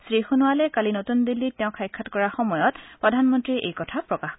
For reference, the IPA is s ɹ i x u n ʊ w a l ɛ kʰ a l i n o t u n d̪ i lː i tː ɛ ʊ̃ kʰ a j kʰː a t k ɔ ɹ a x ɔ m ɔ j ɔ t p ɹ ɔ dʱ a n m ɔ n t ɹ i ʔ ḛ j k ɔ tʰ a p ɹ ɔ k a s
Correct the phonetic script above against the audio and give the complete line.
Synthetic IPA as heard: s ɹ i x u n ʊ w a l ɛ k a l i n o t u n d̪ i lː i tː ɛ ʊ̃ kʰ a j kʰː a t k ɔ ɹ a x ɔ m ɔ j ɔ t p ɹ ɔ dʱ a n m ɔ n t ɹ i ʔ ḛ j k ɔ tʰ a p ɹ ɔ k a x